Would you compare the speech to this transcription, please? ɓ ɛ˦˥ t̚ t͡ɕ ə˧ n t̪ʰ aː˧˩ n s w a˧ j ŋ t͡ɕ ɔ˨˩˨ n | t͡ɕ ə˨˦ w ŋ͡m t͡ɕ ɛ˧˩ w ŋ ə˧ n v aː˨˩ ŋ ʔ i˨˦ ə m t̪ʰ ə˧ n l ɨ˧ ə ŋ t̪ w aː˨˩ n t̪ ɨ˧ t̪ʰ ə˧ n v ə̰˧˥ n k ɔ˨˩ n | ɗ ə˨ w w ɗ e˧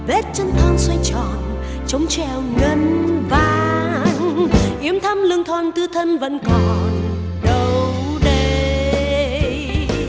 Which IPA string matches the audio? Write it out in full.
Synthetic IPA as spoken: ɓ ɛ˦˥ t̚ t͡ɕ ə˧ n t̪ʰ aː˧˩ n s w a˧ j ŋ t͡ɕ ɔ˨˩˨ n | t͡ɕ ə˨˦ w ŋ͡m t͡ɕ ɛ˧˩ w ŋ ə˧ n v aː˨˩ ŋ ʔ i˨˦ ə m t̪ʰ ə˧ m l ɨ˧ ə ŋ t̪ʰ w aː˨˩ n t̪ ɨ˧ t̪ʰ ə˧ n v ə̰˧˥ n k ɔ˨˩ n | ɗ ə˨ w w ɗ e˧